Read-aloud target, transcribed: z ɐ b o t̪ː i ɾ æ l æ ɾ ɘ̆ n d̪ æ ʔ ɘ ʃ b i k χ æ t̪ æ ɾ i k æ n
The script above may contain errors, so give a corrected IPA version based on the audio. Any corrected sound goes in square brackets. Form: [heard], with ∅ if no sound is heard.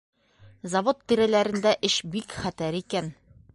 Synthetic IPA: z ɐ [v] o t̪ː i ɾ æ l æ ɾ ɘ̆ n d̪ æ ʔ ɘ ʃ b i k χ æ t̪ æ ɾ i k æ n

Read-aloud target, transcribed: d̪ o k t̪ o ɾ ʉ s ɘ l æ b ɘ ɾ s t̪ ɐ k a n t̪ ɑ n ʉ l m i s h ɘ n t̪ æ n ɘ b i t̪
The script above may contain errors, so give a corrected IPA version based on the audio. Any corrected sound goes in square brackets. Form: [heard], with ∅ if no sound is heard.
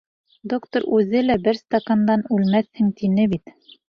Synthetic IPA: d̪ o k t̪ o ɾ ʉ [z] ɘ l æ b ɘ ɾ s t̪ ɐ k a n [d̪] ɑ n ʉ l m [æ] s h ɘ [ŋ] t̪ [i] n ɘ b i t̪

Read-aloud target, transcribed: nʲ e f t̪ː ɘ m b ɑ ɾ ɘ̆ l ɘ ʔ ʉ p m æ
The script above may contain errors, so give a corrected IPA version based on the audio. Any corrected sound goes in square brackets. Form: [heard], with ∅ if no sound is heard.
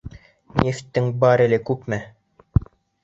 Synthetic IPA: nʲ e f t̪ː ɘ [ŋ] b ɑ ɾ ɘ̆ l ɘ [k] ʉ p m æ

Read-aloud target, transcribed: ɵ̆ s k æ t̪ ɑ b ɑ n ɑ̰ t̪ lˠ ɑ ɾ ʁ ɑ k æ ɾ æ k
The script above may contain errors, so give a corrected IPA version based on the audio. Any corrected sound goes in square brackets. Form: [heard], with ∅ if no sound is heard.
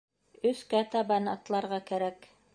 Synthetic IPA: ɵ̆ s k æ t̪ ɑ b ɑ n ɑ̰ t̪ lˠ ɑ ɾ ʁ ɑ k æ ɾ æ k

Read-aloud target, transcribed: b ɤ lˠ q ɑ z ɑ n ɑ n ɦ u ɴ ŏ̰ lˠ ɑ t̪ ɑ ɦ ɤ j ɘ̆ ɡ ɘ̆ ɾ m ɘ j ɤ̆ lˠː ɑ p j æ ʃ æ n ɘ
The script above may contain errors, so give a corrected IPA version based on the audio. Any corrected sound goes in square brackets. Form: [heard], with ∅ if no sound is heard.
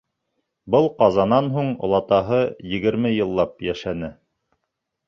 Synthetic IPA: b ɤ lˠ q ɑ z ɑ n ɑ n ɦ u ɴ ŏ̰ lˠ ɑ t̪ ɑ ɦ ɤ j ɘ̆ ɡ ɘ̆ ɾ m ɘ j ɤ̆ lˠː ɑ p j æ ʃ æ n ɘ

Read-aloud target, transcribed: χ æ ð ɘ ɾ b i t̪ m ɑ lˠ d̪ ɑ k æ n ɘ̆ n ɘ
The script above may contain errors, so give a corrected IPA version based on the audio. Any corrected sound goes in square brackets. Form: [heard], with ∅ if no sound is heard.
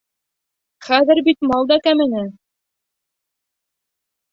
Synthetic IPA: χ æ ð ɘ ɾ b i t̪ m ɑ lˠ d̪ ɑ k æ [m] ɘ̆ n ɘ

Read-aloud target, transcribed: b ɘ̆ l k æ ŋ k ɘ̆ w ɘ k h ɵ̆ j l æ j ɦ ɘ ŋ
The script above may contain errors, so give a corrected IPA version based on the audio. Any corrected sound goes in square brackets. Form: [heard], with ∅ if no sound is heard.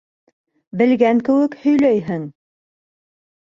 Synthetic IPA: b ɘ̆ l [ɡ] æ ŋ k ɘ̆ w ɘ k h ɵ̆ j l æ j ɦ ɘ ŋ

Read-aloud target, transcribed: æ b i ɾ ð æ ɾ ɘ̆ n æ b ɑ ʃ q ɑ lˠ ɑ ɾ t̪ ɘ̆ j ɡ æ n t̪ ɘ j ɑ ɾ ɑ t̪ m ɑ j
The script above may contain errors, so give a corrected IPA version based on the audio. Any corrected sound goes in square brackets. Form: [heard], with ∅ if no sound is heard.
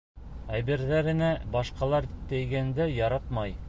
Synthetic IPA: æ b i ɾ ð æ ɾ ɘ̆ n æ b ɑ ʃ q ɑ lˠ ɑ ɾ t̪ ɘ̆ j ɡ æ n [d̪] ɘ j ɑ ɾ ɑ t̪ m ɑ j

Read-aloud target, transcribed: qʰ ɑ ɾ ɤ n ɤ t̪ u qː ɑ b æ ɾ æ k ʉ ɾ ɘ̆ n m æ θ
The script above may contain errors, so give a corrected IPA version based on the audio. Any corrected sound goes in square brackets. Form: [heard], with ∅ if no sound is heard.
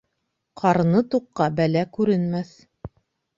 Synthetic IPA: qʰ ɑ ɾ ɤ n ɤ t̪ u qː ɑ b æ [l] æ k ʉ ɾ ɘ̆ n m æ θ

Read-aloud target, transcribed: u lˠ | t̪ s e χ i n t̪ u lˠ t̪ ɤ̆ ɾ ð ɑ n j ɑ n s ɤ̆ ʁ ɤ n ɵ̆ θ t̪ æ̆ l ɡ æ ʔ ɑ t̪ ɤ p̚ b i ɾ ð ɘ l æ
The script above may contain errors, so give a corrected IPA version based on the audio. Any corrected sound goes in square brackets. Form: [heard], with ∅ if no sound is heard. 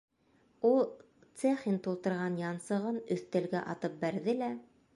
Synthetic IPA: u lˠ | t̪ s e χ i n t̪ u lˠ t̪ ɤ̆ ɾ [ʁ] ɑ n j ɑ n s ɤ̆ ʁ ɤ n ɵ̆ θ t̪ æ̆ l ɡ æ ʔ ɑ t̪ ɤ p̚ b [æ] ɾ ð ɘ l æ

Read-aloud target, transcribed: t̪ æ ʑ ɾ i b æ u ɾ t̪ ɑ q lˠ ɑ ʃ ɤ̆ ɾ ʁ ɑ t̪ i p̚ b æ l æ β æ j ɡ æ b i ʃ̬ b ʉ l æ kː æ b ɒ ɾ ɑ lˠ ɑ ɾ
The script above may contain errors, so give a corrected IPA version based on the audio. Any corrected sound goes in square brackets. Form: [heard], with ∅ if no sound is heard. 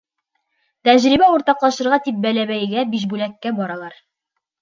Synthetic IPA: t̪ æ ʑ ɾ i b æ u ɾ t̪ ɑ q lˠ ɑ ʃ ɤ̆ ɾ ʁ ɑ t̪ i p̚ b æ l æ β æ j ɡ æ b i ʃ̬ b ʉ l æ kː æ b ɒ ɾ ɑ lˠ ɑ ɾ

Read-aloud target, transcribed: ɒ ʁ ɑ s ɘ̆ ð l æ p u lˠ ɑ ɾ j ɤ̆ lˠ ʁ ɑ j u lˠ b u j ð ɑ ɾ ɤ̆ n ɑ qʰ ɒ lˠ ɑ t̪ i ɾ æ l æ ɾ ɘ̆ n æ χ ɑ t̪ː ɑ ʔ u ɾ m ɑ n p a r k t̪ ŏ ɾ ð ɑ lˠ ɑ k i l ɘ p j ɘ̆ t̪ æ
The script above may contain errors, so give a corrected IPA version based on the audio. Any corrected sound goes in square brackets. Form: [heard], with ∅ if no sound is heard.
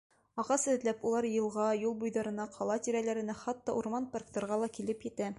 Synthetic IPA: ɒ ʁ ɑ s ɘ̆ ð l æ p u lˠ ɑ ɾ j ɤ̆ lˠ ʁ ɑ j u lˠ b u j ð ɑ ɾ ɤ̆ n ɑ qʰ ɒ lˠ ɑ t̪ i ɾ æ l æ ɾ ɘ̆ n æ χ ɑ t̪ː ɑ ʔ u ɾ m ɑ n p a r k t̪ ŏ ɾ [ʁ] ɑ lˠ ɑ k i l ɘ p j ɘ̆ t̪ æ

